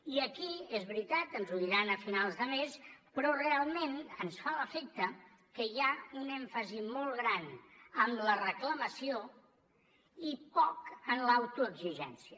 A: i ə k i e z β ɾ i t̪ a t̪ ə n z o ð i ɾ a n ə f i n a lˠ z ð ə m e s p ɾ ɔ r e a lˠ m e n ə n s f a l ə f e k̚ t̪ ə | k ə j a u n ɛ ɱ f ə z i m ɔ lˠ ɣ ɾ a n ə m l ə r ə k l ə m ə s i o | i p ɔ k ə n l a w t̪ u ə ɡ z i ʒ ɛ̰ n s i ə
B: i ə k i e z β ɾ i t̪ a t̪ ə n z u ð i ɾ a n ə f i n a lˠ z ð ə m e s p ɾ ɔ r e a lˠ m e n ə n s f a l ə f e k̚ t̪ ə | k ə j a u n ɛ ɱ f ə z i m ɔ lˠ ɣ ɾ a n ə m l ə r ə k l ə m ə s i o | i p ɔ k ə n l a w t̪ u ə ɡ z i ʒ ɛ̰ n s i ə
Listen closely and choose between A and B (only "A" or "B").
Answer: B